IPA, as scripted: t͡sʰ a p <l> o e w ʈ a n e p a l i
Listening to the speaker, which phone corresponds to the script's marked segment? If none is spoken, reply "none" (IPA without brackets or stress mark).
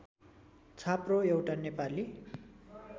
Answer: r